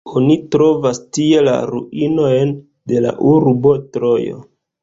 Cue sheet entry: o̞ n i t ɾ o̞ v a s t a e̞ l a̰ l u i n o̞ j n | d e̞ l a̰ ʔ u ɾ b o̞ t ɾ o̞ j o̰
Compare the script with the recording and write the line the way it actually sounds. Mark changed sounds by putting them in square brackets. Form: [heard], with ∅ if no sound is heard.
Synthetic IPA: o̞ n i t ɾ o̞ v a s t [i] e̞ l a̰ [ɾ] u i n o̞ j n | d e̞ l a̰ ʔ u ɾ b o̞ t ɾ o̞ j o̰